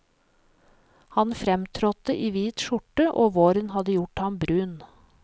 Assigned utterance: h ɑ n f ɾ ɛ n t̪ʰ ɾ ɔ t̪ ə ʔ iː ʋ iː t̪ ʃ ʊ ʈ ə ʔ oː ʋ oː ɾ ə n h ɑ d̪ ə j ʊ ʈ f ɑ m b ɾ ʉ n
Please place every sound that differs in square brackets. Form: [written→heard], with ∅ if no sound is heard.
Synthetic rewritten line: h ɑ n f ɾ ɛ [n→m] t̪ʰ ɾ ɔ t̪ ə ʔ iː ʋ iː t̪ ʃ ʊ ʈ ə ʔ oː ʋ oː ɾ ə n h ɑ d̪ ə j ʊ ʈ [f→h] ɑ m b ɾ [ʉ→ʉː] n

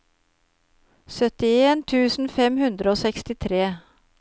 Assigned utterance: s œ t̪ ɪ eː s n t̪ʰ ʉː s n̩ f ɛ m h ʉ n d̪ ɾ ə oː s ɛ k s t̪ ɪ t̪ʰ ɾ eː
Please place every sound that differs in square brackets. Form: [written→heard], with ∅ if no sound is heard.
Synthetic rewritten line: s œ t̪ ɪ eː [s→∅] n t̪ʰ ʉː s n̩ f ɛ m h ʉ n d̪ ɾ ə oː s ɛ k s t̪ ɪ t̪ʰ ɾ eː

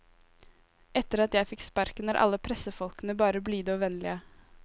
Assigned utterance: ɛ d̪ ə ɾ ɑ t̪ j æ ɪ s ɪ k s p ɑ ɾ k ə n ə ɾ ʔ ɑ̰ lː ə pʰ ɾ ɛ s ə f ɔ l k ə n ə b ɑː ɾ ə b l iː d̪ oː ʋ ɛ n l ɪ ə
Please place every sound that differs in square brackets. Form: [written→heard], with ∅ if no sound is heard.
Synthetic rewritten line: ɛ [d̪→t̪] ə ɾ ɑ t̪ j æ ɪ [s→f] ɪ k s p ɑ ɾ k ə n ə ɾ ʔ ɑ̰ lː ə pʰ ɾ ɛ s ə f ɔ l k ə n ə b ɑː ɾ ə b l iː d̪ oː ʋ ɛ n l ɪ ə

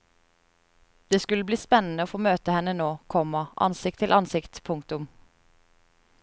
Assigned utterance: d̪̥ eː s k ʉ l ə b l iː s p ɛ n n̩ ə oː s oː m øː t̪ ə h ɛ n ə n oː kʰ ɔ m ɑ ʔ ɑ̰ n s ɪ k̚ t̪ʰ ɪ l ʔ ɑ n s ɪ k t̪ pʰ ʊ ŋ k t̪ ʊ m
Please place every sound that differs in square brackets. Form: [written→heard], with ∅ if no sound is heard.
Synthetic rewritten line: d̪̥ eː s k ʉ l ə b l iː s p ɛ n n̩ ə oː [s→f] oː m øː t̪ ə h ɛ n ə n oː kʰ ɔ m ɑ ʔ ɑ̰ n s ɪ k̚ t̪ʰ ɪ l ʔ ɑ n s ɪ k t̪ pʰ ʊ ŋ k t̪ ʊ m

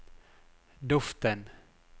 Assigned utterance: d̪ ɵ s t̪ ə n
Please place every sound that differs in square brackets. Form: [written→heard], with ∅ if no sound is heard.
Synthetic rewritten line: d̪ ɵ [s→f] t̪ ə n

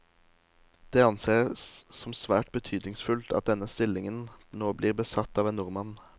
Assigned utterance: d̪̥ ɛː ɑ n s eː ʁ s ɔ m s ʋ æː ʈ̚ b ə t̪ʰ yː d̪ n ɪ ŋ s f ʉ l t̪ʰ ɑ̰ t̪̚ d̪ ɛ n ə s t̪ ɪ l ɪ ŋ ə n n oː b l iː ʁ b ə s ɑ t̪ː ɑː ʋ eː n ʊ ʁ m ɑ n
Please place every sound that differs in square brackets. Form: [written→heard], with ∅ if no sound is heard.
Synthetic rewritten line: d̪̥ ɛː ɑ n s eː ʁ s ɔ m s ʋ æː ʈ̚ b ə t̪ʰ yː d̪ n ɪ ŋ s f ʉ l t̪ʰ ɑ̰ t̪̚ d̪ ɛ n ə s t̪ ɪ l ɪ ŋ ə n n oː b l iː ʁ b ə s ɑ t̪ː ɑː ʋ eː n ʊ ʁ m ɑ n

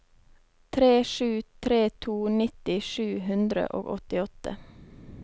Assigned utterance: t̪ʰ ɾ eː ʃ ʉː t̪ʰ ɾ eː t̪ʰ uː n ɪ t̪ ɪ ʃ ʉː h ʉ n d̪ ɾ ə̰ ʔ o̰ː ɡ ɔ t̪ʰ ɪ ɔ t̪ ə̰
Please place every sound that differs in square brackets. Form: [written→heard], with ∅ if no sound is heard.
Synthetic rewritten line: t̪ʰ ɾ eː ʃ ʉː t̪ʰ ɾ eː t̪ʰ uː n ɪ t̪ ɪ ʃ ʉː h ʉ n d̪ ɾ ə̰ ʔ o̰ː ɡ ɔ [t̪ʰ→t̪] ɪ ɔ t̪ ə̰

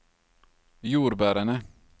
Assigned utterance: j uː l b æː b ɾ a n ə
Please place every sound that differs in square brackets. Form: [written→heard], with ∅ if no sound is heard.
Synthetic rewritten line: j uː [l→ɾ] b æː [b→∅] ɾ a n ə

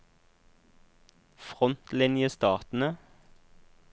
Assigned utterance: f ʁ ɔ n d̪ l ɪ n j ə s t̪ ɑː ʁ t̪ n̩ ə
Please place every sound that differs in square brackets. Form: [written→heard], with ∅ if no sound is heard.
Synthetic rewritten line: f ʁ ɔ n [d̪→t̪] l ɪ n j ə s t̪ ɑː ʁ t̪ n̩ ə

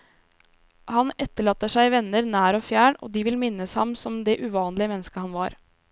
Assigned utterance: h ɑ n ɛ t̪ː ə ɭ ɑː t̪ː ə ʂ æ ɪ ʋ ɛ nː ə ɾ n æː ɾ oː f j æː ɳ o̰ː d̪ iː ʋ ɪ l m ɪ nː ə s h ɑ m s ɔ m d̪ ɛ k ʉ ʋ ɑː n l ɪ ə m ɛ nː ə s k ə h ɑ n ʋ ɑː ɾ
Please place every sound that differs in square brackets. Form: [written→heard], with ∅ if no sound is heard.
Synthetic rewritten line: h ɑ n ɛ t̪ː ə ɭ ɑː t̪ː ə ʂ æ ɪ ʋ ɛ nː ə ɾ n æː ɾ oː f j æː ɳ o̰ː d̪ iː ʋ ɪ l m ɪ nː ə s h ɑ m s ɔ m d̪ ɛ [k→ʔ] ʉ ʋ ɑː n l ɪ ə m ɛ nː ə s k ə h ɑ n ʋ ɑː ɾ

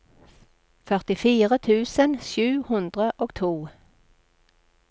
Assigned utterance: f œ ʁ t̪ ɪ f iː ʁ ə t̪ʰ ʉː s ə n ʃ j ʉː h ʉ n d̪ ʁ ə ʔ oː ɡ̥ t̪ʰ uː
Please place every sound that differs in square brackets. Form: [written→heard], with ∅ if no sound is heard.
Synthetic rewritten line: f œ ʁ t̪ ɪ f iː ʁ ə t̪ʰ ʉː s ə n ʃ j ʉː h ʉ n d̪ ʁ ə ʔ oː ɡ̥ t̪ʰ uː

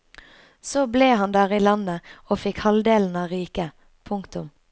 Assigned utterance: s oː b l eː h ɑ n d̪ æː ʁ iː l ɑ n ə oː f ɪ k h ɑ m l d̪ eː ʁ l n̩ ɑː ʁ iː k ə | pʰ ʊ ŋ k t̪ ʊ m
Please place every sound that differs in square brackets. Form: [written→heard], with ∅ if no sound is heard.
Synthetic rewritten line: s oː b l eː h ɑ n d̪ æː ʁ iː l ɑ n ə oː f ɪ k h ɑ [m→∅] l d̪ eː [ʁ→∅] l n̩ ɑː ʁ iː k ə | pʰ ʊ ŋ k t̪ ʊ m

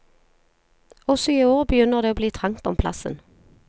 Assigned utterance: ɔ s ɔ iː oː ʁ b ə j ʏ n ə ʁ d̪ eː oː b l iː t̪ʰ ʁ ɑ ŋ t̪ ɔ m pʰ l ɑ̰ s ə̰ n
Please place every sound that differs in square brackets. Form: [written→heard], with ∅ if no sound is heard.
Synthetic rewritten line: ɔ s ɔ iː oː ʁ b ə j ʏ n ə ʁ d̪ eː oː b l iː t̪ʰ ʁ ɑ ŋ t̪ ɔ m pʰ l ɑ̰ s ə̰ n

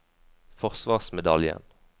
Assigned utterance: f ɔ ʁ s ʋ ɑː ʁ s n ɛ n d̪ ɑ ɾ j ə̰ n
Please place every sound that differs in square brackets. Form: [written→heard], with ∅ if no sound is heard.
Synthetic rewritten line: f ɔ ʁ s ʋ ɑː ʁ s [n→m] ɛ [n→∅] d̪ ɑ [ɾ→l] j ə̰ n

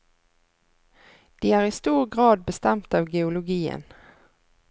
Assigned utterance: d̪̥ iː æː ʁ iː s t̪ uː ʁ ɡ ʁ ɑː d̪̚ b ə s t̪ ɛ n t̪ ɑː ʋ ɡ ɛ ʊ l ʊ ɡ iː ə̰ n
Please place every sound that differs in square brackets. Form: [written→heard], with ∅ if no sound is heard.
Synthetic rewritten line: d̪̥ iː æː ʁ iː s t̪ uː ʁ ɡ ʁ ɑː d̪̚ b ə s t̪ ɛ [n→m] t̪ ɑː ʋ ɡ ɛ ʊ l ʊ ɡ iː ə̰ n

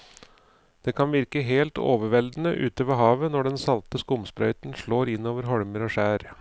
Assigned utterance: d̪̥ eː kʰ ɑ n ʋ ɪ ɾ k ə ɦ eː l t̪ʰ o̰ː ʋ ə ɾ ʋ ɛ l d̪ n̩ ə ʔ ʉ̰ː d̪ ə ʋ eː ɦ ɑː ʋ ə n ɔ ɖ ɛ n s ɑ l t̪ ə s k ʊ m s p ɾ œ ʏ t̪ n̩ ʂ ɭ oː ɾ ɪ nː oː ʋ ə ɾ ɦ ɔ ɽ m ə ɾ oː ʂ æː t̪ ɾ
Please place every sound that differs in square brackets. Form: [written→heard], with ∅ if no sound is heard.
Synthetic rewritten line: d̪̥ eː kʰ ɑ n ʋ ɪ ɾ k ə ɦ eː l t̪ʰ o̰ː ʋ ə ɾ ʋ ɛ l d̪ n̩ ə ʔ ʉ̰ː [d̪→t̪] ə ʋ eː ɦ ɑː ʋ ə n ɔ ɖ ɛ n s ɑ l t̪ ə s k ʊ m s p ɾ œ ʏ t̪ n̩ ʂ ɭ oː ɾ ɪ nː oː ʋ ə ɾ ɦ ɔ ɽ m ə ɾ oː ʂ æː [t̪→∅] ɾ

